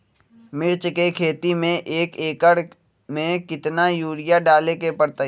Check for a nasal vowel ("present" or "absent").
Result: present